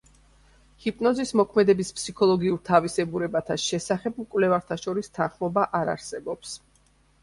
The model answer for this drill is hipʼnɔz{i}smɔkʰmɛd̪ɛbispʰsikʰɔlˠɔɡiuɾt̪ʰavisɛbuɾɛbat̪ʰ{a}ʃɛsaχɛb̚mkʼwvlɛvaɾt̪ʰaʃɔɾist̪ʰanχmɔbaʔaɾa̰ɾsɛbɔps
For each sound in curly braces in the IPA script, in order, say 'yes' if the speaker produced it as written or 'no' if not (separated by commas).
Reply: yes, yes